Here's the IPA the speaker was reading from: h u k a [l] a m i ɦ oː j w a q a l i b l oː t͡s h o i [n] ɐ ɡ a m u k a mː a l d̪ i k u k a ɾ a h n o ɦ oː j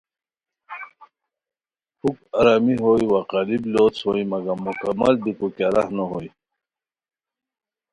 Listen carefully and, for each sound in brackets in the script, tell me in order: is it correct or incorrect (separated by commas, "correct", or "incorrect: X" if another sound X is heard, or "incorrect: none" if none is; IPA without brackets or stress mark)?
incorrect: ɾ, incorrect: m